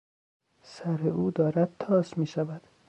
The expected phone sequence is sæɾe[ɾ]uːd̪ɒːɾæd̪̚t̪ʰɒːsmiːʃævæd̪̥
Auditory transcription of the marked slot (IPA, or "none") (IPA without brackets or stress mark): none